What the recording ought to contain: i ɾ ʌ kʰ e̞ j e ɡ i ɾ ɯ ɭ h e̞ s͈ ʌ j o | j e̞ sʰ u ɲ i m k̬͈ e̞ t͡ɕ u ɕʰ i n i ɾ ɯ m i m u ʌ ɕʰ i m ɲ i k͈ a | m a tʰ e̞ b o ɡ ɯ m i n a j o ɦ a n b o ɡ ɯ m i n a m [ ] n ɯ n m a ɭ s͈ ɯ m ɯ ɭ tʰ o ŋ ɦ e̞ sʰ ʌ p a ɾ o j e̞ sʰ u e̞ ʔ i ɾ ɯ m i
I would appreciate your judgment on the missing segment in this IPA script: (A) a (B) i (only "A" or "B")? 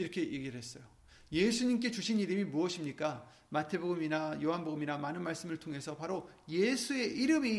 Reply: A